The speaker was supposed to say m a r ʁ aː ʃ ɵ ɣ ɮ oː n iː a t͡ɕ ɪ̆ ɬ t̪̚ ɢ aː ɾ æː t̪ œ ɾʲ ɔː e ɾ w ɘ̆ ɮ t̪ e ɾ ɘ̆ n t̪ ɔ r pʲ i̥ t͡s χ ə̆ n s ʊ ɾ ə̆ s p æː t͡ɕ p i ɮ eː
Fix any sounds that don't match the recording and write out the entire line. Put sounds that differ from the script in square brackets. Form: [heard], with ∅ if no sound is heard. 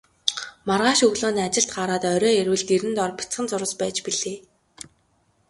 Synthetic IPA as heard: m a r ʁ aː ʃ ɵ ɣ ɮ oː n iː a t͡ɕ ɪ̆ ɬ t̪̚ ɢ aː ɾ [aː] t̪ œ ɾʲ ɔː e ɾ w ɘ̆ ɮ t̪ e ɾ ɘ̆ n t̪ ɔ r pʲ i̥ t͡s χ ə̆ n [t͡s] ʊ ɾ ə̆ s p æː t͡ɕ p i ɮ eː

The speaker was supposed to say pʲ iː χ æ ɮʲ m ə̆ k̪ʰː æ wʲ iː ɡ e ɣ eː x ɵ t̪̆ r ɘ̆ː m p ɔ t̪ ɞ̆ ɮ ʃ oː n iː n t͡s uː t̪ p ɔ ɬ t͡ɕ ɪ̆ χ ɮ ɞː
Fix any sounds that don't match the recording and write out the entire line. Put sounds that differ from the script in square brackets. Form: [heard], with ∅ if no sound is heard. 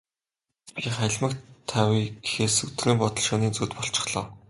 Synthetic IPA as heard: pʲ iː χ æ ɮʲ m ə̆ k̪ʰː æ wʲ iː ɡ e [x] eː [s] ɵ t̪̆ r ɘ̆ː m p ɔ t̪ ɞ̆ ɮ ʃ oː n iː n t͡s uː t̪ p ɔ ɬ t͡ɕ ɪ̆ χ ɮ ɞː

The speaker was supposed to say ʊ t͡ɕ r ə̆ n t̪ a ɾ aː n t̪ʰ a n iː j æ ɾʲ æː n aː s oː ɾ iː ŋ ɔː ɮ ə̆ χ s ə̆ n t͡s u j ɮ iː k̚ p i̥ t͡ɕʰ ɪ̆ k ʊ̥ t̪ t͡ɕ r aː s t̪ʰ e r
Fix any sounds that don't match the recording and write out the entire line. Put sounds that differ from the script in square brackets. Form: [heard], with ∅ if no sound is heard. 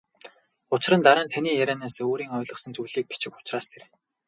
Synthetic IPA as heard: ʊ t͡ɕ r ə̆ n t̪ a ɾ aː n t̪ʰ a n iː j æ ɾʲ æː n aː s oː ɾ iː ŋ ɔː ɮ ə̆ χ s ə̆ n t͡s u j ɮ iː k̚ p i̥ [t͡ɕ] ɪ̆ k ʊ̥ [∅] t͡ɕ r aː s t̪ʰ e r

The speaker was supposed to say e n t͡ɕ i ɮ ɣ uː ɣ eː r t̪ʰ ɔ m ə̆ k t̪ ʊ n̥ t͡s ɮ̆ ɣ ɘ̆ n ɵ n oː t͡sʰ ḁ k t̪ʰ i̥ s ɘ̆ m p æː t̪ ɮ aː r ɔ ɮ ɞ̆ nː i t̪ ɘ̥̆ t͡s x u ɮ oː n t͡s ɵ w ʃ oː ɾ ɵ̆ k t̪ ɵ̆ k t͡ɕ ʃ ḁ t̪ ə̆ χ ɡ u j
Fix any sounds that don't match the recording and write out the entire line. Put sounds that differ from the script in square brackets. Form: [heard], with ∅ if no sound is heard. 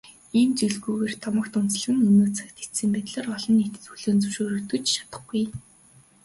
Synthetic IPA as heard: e n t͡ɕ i ɮ ɣ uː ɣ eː r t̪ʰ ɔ m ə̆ k t̪ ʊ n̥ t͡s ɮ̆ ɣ ɘ̆ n ɵ n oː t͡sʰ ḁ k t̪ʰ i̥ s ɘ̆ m p æː t̪ ɮ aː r ɔ ɮ ɞ̆ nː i t̪ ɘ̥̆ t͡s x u ɮ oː n t͡s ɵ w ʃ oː ɾ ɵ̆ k t̪ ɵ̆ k t͡ɕ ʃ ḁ t̪ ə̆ χ ɡ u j

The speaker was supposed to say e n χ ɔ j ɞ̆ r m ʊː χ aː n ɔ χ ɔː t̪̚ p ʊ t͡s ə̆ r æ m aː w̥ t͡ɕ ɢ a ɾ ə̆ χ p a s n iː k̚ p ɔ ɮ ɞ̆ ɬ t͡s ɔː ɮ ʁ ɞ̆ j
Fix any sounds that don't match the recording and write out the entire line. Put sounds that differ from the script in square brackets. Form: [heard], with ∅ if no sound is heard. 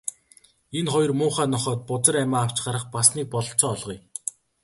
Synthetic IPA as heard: e n χ ɔ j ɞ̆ r m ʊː χ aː n ɔ χ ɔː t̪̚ p ʊ t͡s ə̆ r æ m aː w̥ t͡ɕ ɢ a ɾ ə̆ χ p a s n iː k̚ p ɔ ɮ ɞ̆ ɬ t͡s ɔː ɮ ʁ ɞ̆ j

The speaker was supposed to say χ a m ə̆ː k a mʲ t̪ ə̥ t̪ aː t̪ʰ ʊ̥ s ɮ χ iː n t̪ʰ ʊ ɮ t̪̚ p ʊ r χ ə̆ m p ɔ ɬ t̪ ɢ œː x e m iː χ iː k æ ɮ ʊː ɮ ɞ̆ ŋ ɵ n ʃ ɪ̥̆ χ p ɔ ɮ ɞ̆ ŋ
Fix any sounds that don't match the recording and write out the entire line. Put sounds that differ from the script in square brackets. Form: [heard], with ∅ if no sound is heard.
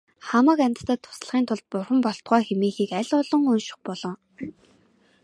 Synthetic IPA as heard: χ a m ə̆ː k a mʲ t̪ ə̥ t̪ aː t̪ʰ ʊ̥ s ɮ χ iː n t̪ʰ ʊ ɮ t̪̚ p ʊ r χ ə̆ m p ɔ ɬ t̪ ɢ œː x e m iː [x] iː k æ ɮ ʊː ɮ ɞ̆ ŋ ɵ n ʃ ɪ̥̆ χ p ɔ ɮ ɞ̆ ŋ

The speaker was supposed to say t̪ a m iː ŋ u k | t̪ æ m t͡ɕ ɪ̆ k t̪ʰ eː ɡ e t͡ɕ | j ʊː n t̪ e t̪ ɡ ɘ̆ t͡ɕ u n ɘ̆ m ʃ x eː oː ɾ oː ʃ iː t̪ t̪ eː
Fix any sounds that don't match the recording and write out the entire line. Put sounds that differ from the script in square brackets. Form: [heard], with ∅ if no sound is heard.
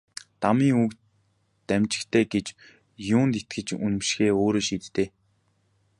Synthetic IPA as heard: t̪ a m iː ŋ u k | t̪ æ m t͡ɕ ɪ̆ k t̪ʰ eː ɡ e t͡ɕ | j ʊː n t̪ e t̪ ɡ ɘ̆ t͡ɕ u n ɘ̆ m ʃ x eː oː ɾ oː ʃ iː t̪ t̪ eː

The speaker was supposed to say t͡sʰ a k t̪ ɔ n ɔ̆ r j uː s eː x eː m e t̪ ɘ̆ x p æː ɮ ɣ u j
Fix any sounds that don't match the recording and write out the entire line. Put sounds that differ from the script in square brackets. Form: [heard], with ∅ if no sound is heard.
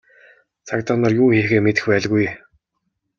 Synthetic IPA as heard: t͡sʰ a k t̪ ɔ n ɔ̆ r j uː [x] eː x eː m e t̪ ɘ̆ x p æː ɮ ɣ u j

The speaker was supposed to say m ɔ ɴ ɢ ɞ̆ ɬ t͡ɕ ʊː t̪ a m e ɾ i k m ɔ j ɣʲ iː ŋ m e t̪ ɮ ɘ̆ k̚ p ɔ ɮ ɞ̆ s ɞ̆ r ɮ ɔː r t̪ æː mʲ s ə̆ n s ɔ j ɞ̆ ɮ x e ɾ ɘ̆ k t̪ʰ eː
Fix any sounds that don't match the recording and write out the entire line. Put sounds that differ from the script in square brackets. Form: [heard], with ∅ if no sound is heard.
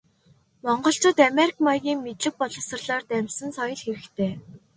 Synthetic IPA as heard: m ɔ ɴ ɢ ɞ̆ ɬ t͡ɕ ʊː t̪ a m e ɾ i k m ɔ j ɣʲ iː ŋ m e t̪ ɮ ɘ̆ k̚ p ɔ ɮ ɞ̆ s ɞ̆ r ɮ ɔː r t̪ [æ] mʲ s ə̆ n s ɔ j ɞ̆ ɮ x e ɾ ɘ̆ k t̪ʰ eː

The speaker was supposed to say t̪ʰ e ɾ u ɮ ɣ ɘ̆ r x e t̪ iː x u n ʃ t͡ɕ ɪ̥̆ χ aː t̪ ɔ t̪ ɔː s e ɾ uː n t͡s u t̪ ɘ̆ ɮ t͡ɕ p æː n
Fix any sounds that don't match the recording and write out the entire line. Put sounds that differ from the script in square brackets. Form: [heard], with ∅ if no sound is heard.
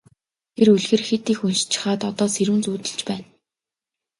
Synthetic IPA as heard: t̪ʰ e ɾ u ɮ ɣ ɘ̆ r x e t̪ iː x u n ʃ t͡ɕ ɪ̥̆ χ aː t̪ ɔ t̪ ɔː s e ɾ uː n t͡s [uː] t̪ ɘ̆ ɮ t͡ɕ p æː n

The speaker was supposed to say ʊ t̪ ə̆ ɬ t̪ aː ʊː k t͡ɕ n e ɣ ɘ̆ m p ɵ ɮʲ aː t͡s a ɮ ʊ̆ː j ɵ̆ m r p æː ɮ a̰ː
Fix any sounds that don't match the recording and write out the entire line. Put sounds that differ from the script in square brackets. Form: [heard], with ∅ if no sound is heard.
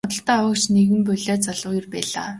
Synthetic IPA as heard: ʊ t̪ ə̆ ɬ t̪ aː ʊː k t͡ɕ n e ɣ ɘ̆ m p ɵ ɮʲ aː t͡s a ɮ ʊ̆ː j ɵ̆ [∅] r p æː ɮ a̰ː

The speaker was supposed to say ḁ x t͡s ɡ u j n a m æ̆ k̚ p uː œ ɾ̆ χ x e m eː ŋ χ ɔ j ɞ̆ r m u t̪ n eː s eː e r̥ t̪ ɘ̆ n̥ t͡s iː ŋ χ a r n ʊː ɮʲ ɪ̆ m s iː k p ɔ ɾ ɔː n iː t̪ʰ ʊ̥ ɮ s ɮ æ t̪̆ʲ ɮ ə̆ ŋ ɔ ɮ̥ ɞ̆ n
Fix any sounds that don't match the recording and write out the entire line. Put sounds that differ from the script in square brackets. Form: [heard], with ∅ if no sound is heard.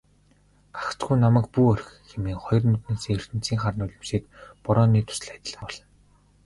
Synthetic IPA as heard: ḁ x t͡s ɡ u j n a m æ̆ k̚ p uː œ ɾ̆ [x] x e m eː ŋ χ ɔ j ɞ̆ r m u t̪ n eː s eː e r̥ t̪ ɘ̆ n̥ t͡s iː ŋ χ a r n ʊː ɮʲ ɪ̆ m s iː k p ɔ ɾ ɔː n iː t̪ʰ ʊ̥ [∅] s ɮ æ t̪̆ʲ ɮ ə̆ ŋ ɔ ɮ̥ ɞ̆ n

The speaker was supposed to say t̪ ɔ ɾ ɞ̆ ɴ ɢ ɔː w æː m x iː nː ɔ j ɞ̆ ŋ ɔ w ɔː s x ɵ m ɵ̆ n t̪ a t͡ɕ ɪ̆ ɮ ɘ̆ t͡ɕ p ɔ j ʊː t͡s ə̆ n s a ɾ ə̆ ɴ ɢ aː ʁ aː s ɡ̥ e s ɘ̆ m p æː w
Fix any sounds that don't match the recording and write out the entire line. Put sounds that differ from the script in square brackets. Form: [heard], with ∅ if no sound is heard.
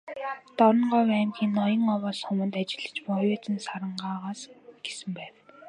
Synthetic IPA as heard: t̪ ɔ ɾ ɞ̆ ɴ ɢ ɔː w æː m x iː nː ɔ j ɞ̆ ŋ ɔ w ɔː s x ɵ m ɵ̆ n t̪ a t͡ɕ ɪ̆ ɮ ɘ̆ t͡ɕ p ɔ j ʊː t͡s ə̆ n s a ɾ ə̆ ɴ ɢ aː ʁ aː s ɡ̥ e s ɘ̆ m p æː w

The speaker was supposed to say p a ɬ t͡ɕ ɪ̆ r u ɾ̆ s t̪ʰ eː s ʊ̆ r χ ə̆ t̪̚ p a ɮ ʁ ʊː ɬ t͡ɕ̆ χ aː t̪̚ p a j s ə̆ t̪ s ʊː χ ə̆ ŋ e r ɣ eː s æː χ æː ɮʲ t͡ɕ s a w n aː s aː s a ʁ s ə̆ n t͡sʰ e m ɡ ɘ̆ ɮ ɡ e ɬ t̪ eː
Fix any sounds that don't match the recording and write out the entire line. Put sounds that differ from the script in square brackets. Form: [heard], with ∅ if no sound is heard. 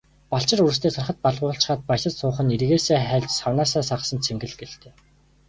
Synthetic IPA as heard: p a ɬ t͡ɕ ɪ̆ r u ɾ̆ s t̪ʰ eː s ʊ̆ r χ ə̆ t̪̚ p a ɮ ʁ ʊː ɬ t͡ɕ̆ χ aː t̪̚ p a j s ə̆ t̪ s ʊː χ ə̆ [n] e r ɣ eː s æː χ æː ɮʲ t͡ɕ s a w n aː s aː s a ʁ s ə̆ n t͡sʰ e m ɡ ɘ̆ ɮ ɡ e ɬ t̪ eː

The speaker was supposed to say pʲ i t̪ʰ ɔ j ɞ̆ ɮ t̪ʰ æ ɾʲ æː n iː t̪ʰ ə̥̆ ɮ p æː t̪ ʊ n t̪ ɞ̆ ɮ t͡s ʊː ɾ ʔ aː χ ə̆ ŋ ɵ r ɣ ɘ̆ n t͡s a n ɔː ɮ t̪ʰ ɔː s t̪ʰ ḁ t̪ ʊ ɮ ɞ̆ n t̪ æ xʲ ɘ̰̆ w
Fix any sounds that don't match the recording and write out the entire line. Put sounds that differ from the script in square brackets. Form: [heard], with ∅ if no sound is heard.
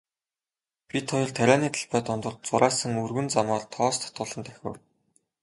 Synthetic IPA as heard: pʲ i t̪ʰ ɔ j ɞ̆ ɮ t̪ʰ æ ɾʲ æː n iː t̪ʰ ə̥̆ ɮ p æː t̪ ʊ n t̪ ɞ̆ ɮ t͡s [ʊ] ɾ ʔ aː [s] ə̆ ŋ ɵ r ɣ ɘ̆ n t͡s a [m] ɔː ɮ t̪ʰ ɔː s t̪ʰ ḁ t̪ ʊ ɮ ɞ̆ n t̪ æ xʲ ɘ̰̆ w

